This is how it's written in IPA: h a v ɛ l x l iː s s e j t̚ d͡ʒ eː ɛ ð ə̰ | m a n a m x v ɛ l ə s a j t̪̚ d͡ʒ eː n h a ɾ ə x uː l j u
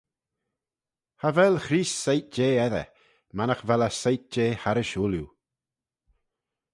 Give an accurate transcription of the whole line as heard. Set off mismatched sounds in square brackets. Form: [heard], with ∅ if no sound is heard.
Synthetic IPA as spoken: h a v ɛ l x [ɾ] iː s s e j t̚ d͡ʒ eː ɛ ð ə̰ | m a n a [∅] x v ɛ l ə s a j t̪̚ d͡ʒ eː [∅] h a ɾ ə [ʃ] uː l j u

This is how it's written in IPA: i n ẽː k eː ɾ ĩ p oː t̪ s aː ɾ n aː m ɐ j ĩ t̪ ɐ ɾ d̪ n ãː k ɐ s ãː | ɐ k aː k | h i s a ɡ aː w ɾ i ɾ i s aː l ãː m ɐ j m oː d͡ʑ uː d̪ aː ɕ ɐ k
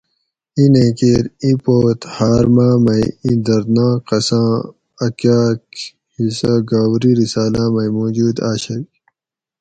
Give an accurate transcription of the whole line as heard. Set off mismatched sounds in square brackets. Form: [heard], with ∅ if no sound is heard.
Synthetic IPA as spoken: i n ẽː k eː ɾ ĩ p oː t̪ [h] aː ɾ [m] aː m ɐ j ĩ [d̪] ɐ ɾ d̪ n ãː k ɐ s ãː | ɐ k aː k | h i s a ɡ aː w ɾ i ɾ i s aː l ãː m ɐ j m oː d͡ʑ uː d̪ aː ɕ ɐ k

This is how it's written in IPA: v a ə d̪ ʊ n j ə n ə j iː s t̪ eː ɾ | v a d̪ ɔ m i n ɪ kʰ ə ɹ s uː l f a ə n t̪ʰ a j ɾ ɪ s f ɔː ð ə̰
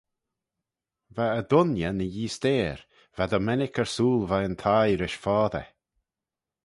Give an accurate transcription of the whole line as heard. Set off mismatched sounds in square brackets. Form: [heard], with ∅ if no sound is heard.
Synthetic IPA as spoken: v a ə d̪ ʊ n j ə n ə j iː s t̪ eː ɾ | v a d̪ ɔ m [ɛ] n ɪ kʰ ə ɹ s uː l [v] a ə n t̪ʰ a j ɾ ɪ [ʃ] f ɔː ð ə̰

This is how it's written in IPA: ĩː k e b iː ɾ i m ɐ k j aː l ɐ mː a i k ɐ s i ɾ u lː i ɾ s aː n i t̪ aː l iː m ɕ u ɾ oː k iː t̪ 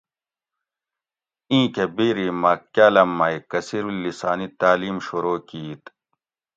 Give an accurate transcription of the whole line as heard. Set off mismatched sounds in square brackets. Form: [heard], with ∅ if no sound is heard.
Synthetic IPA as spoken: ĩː k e b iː ɾ i m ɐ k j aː l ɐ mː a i k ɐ s i ɾ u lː i [∅] s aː n i t̪ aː l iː m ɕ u ɾ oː k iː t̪

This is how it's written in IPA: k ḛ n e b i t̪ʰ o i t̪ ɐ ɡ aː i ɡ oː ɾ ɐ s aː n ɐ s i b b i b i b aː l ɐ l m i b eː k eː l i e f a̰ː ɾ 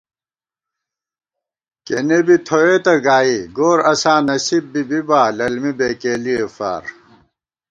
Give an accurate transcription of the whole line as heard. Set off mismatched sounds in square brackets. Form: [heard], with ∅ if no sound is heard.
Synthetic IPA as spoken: k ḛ n e b i t̪ʰ o [e] t̪ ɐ ɡ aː i ɡ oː ɾ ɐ s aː n ɐ s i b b i b i b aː l ɐ l m i b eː k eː l i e f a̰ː ɾ

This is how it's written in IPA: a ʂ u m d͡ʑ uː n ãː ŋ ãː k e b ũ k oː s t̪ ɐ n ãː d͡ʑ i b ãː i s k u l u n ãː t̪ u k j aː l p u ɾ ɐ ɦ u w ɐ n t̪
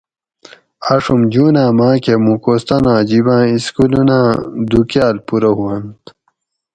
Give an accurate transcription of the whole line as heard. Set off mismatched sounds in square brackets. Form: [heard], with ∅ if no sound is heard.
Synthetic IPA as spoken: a ʂ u m d͡ʑ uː n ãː [m] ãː k e [m] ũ k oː s t̪ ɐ n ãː d͡ʑ i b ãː i s k u l u n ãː [d̪] u k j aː l p u ɾ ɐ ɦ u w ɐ n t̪

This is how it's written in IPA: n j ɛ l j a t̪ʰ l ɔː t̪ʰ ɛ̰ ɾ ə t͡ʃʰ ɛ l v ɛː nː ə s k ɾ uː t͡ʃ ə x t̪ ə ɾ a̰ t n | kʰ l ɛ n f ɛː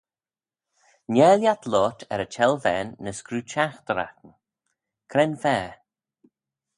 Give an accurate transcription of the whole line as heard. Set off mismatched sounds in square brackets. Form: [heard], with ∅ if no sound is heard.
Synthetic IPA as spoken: n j ɛ l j a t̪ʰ l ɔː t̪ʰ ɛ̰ ɾ ə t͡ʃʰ ɛ l v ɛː nː ə s k ɾ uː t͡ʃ [a] x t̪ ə ɾ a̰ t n | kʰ [ɾ] ɛ n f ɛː

